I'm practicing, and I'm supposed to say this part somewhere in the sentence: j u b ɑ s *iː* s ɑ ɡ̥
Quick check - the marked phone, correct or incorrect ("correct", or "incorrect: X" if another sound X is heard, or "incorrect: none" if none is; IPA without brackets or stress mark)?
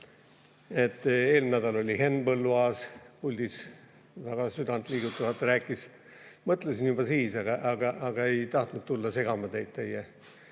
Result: correct